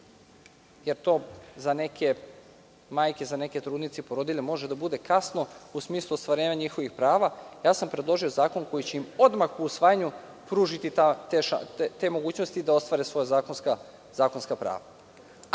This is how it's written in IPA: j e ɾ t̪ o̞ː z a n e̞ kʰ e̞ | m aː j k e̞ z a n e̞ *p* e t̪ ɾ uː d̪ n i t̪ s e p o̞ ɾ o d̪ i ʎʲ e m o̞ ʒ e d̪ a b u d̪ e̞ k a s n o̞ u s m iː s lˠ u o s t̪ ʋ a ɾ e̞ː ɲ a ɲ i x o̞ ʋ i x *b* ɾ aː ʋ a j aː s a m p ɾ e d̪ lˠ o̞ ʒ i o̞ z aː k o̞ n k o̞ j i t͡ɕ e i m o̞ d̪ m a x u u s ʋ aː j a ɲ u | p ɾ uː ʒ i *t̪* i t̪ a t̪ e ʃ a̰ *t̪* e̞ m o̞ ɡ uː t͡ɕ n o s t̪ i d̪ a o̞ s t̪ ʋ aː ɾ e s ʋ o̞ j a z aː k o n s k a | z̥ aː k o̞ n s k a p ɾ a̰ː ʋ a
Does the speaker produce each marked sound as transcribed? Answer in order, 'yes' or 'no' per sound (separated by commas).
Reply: no, no, yes, yes